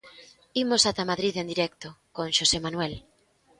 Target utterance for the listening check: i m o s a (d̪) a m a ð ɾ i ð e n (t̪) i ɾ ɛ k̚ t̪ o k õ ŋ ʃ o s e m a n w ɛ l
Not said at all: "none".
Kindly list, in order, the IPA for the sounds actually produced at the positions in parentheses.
t̪, d̪

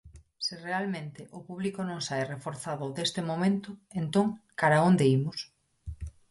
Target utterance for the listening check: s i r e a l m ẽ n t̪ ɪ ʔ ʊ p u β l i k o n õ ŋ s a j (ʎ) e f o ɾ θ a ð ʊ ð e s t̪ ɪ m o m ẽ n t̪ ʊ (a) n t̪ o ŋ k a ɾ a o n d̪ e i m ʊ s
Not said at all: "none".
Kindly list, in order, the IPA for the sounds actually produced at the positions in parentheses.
r, e

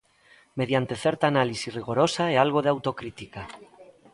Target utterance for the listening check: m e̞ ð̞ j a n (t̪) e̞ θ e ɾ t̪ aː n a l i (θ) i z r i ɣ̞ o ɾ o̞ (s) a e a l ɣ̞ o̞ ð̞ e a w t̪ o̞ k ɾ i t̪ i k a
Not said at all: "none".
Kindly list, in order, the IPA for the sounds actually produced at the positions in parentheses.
t̪, s, s

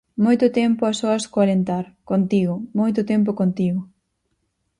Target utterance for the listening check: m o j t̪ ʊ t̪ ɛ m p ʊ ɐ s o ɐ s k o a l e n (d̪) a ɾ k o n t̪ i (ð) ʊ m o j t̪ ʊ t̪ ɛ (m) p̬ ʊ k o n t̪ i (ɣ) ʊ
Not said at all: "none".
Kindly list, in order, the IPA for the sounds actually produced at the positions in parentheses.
t̪, ɣ, m, ɣ

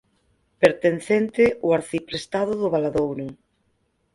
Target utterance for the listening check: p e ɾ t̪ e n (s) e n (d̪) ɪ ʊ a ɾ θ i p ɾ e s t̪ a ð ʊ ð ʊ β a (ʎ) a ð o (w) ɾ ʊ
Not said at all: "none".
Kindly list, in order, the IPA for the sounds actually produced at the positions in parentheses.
θ, t̪, l, w

